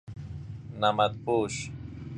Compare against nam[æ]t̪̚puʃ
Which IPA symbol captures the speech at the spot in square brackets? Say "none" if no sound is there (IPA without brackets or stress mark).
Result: a